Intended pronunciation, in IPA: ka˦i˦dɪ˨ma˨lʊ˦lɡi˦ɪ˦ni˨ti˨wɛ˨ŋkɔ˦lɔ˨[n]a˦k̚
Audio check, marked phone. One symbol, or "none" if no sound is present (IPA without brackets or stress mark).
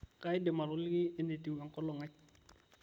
ŋ